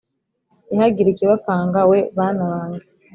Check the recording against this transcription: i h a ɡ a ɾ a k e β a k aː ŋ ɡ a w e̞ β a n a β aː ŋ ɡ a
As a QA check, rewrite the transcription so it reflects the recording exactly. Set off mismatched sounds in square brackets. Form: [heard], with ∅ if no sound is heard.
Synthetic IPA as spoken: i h a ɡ [i] ɾ [i] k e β a k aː ŋ ɡ a w e̞ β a n a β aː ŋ ɡ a